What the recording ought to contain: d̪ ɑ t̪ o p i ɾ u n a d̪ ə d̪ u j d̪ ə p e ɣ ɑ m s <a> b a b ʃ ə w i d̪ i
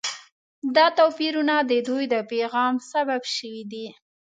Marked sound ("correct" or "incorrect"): correct